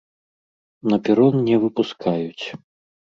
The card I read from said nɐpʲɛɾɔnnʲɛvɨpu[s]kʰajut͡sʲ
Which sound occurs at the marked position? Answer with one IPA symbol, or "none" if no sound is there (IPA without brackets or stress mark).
s